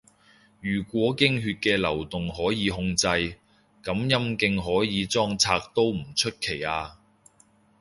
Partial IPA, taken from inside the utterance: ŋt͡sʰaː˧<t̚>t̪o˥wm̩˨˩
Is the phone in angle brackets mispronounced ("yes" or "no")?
yes